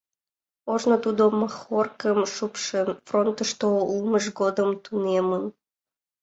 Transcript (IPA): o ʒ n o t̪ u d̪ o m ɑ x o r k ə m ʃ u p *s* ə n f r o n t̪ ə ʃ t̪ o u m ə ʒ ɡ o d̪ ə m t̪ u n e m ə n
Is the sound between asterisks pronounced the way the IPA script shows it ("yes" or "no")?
no